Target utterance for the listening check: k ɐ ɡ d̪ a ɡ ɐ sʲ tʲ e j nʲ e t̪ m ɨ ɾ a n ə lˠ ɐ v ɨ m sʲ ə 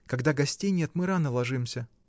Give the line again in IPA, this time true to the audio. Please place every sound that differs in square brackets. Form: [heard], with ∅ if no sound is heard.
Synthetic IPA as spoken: k ɐ ɡ d̪ a ɡ ɐ sʲ tʲ e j nʲ e t̪ m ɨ ɾ a n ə lˠ ɐ [ʐ] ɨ m sʲ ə